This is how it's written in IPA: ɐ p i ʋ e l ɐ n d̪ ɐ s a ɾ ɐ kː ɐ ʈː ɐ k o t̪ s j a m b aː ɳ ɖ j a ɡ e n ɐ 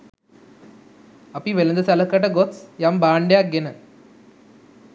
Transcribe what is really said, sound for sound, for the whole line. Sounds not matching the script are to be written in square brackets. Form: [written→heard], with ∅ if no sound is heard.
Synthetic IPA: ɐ p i ʋ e l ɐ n d̪ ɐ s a [ɾ→l] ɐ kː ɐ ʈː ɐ [k→ɡ] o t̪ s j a m b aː ɳ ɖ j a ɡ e n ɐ